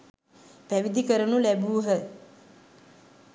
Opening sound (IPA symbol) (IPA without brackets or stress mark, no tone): p